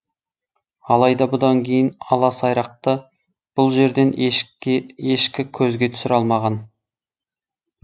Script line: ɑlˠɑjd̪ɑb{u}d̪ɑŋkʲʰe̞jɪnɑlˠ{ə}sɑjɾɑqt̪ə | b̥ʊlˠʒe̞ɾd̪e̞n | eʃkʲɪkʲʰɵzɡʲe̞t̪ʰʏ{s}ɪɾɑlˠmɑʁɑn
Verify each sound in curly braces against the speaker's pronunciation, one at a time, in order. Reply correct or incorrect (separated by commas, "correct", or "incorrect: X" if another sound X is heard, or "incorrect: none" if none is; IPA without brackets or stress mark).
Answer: incorrect: ʊ, incorrect: ɑ, correct